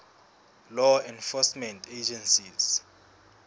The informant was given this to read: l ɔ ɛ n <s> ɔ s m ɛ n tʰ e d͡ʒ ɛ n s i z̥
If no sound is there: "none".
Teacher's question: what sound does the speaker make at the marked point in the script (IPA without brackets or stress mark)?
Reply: f